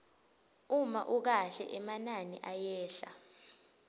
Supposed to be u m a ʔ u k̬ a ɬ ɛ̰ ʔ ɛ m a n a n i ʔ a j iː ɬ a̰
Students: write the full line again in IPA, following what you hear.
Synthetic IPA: u m a ʔ u k̬ a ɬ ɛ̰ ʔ ɛ m a n a n i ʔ a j ɛː ɬ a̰